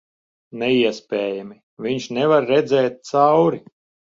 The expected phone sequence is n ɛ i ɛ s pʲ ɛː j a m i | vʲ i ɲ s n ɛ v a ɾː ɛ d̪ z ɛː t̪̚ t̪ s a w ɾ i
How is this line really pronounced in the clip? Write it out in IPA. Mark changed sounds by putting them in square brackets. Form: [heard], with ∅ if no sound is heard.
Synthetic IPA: n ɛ i ɛ s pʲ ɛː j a m i | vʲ i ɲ [ʃ] n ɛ v a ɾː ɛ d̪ z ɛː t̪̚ t̪ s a w ɾ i